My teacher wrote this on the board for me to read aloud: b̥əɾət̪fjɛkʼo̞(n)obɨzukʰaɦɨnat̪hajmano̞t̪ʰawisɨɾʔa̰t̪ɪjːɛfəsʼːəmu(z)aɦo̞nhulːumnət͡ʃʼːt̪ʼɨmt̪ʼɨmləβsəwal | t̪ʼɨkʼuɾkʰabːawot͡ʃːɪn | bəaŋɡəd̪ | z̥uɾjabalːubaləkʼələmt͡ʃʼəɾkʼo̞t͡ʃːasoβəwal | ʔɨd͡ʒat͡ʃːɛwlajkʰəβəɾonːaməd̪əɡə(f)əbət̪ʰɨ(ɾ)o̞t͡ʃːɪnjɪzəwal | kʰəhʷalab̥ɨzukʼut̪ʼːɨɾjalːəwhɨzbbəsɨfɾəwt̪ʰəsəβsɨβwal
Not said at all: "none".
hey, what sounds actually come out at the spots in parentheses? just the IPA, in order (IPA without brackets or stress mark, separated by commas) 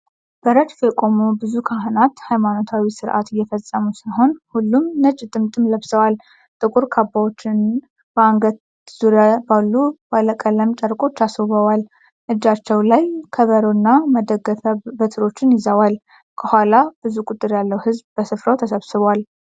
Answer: m, s, f, ɾ